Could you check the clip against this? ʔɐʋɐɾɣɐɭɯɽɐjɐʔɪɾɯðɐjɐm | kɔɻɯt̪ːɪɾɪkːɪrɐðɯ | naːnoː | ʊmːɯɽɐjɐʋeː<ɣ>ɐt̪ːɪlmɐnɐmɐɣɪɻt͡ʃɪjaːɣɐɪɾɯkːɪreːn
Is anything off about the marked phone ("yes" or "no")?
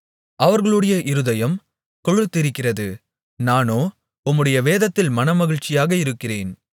yes